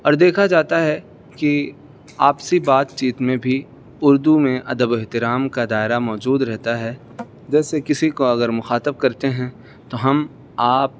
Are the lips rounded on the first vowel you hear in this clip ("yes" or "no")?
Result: yes